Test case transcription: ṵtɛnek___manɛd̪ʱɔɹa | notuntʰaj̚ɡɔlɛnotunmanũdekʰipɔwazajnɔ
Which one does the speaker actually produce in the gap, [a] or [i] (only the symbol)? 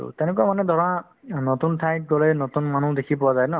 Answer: a